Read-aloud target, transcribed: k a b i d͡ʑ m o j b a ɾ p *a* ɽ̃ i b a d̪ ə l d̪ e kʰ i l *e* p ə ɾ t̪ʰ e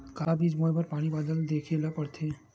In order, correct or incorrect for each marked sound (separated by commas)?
correct, incorrect